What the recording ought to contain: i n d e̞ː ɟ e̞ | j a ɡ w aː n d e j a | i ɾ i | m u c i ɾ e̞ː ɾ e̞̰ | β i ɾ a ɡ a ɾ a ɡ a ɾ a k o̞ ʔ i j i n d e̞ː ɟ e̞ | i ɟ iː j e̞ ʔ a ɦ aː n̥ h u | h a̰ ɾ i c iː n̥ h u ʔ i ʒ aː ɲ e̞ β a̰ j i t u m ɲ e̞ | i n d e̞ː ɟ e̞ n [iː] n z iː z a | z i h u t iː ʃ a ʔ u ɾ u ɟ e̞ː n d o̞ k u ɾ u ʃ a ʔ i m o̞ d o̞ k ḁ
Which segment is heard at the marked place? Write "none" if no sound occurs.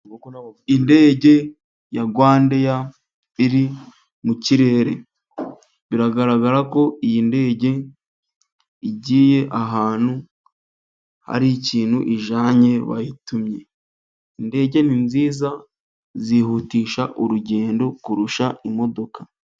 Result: i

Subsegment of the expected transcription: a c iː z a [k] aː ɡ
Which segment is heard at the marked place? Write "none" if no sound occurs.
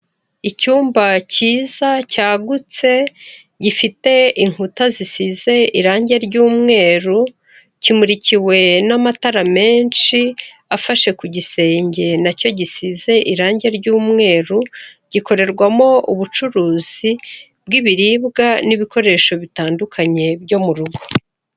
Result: c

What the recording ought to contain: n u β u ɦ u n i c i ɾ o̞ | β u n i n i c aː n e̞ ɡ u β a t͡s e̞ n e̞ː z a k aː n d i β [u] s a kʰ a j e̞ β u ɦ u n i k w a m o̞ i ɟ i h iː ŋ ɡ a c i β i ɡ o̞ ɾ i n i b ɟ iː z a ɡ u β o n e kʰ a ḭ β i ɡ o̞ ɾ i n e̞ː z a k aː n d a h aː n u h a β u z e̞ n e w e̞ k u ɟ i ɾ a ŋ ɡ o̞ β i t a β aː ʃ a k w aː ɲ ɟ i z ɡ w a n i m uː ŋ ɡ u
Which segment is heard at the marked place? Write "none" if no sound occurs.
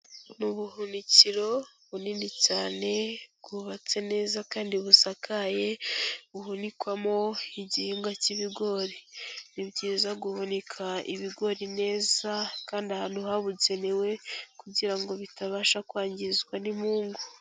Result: u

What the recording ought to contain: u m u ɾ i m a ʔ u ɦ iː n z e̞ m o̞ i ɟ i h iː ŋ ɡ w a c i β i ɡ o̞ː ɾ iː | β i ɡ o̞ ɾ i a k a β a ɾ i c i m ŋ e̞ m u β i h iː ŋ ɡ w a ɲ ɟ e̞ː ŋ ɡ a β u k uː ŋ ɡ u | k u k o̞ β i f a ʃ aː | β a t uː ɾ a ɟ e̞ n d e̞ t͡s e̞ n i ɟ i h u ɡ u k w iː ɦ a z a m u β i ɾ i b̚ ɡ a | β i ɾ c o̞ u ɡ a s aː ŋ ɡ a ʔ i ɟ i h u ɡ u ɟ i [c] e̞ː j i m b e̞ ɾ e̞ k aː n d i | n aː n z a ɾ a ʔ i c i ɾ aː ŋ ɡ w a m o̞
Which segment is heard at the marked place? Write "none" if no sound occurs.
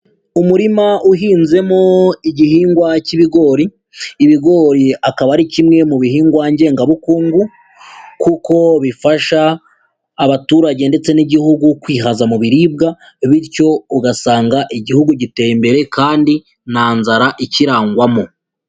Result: t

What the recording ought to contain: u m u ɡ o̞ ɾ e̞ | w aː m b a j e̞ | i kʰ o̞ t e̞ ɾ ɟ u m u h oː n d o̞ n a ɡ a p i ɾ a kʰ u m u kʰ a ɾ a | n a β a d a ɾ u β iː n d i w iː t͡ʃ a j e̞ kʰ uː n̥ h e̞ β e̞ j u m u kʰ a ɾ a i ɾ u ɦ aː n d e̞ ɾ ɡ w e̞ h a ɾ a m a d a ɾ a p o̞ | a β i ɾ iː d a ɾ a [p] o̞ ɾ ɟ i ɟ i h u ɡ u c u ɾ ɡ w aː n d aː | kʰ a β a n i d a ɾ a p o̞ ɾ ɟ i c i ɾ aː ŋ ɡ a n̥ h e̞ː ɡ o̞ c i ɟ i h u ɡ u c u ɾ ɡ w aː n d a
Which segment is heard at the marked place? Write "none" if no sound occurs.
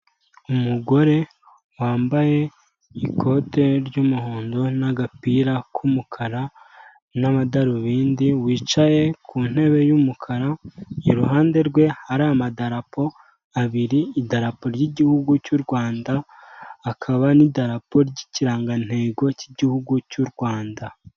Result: p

